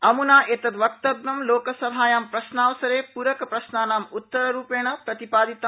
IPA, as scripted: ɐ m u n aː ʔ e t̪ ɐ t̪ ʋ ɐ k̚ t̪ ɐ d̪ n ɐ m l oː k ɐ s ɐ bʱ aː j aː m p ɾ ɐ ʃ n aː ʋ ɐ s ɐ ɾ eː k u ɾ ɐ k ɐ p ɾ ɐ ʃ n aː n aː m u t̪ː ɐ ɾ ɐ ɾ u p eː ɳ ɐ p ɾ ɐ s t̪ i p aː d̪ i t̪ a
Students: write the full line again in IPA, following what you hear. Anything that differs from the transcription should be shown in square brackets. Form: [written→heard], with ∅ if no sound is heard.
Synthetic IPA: ɐ m u n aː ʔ e t̪ ɐ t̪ ʋ ɐ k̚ t̪ ɐ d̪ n ɐ m l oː k ɐ s ɐ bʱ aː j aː m p ɾ ɐ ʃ n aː ʋ ɐ s ɐ ɾ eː [k→p] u ɾ ɐ k ɐ p ɾ ɐ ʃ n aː n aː m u t̪ː ɐ ɾ ɐ ɾ [u→uː] p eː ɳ ɐ p ɾ ɐ [s→∅] t̪ i p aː d̪ i t̪ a